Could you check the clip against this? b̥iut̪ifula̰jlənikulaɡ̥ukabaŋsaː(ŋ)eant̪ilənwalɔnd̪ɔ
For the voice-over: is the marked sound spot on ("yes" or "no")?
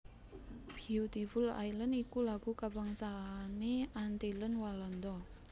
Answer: no